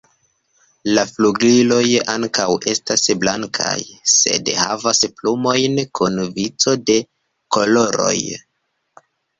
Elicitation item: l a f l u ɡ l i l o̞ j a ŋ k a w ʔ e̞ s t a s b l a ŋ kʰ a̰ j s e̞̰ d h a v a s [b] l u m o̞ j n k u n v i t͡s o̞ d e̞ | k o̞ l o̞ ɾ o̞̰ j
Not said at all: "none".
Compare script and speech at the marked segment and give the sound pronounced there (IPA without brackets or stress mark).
p